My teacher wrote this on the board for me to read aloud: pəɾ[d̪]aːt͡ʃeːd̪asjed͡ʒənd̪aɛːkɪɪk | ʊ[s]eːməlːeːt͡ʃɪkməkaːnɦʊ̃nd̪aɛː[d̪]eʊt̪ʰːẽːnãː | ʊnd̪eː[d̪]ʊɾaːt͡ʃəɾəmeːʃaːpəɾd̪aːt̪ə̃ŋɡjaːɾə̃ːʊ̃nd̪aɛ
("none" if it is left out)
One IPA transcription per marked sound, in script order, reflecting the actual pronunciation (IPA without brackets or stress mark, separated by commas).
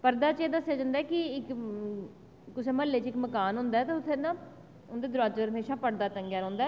d̪, s, t̪, d̪